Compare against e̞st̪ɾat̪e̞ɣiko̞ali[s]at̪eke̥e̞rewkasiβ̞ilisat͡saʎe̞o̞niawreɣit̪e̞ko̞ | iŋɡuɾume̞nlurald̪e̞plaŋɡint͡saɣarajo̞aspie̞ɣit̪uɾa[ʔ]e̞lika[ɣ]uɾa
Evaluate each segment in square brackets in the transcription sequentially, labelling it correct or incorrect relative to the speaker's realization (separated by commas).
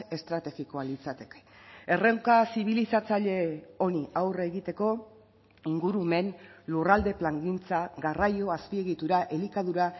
incorrect, correct, incorrect